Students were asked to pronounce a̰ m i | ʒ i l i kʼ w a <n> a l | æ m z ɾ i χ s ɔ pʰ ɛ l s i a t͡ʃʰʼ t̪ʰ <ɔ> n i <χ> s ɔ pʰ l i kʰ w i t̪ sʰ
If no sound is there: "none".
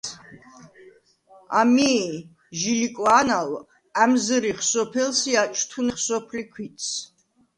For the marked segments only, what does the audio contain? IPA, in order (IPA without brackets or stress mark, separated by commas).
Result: n, u, χ